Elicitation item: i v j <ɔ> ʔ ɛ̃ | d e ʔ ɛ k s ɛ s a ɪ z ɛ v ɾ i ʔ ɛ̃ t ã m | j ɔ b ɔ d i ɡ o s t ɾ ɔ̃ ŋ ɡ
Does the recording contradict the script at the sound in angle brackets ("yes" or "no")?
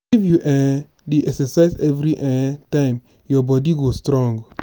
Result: yes